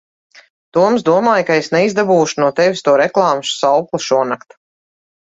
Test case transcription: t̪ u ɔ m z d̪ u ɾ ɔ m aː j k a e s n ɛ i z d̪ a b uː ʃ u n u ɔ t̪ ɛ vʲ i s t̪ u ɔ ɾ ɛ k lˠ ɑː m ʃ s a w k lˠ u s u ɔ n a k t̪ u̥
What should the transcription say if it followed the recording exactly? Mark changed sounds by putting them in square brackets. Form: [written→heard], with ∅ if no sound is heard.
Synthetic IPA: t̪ u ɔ m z d̪ u [ɾ→∅] ɔ m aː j k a e s n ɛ i z d̪ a b uː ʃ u n u ɔ t̪ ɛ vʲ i s t̪ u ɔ ɾ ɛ k lˠ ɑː m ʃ s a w k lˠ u [s→ʃ] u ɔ n a k t̪ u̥